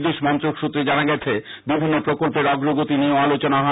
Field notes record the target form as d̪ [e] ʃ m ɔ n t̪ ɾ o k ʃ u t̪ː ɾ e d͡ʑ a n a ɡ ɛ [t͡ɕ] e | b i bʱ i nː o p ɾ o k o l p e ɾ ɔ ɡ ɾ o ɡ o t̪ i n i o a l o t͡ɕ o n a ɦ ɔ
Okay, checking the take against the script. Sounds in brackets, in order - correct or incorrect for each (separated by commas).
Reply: correct, incorrect